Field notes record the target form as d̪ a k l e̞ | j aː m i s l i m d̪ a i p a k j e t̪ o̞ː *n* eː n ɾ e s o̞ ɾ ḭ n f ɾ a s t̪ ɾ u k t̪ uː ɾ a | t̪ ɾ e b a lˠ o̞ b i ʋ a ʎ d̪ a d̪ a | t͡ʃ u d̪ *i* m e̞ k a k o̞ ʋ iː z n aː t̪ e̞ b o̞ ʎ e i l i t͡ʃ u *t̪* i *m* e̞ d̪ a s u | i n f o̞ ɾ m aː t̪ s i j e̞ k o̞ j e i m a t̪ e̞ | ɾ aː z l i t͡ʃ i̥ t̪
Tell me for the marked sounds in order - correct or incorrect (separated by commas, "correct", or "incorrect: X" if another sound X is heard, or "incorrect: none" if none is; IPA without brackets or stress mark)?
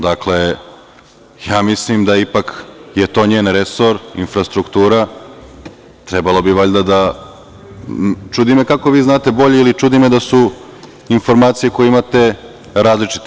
incorrect: ɲ, correct, incorrect: d̪, correct